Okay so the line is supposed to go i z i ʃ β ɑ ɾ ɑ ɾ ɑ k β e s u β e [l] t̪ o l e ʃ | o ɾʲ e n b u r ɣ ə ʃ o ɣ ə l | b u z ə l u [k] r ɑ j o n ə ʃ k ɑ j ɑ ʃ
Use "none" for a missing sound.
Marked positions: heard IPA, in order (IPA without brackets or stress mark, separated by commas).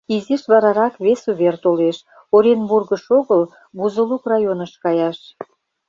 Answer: r, k